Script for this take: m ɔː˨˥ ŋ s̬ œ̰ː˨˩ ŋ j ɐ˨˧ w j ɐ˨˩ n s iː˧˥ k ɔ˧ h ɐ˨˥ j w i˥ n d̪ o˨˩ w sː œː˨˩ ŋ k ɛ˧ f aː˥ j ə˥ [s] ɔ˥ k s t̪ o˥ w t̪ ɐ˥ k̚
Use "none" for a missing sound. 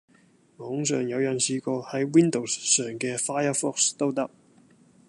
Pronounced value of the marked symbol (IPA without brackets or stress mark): f